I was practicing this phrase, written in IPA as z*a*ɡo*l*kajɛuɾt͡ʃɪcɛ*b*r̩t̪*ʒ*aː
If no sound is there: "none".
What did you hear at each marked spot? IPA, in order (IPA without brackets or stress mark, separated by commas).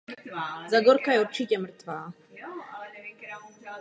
a, ɾ, m, v